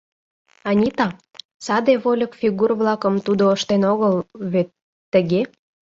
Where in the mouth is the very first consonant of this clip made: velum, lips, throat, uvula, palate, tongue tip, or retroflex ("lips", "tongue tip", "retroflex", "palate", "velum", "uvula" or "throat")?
tongue tip